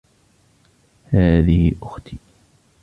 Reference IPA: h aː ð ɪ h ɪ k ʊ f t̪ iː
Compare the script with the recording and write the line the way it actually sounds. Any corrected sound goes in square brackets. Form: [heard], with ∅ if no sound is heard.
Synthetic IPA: h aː ð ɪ h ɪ [ʔ] ʊ [x] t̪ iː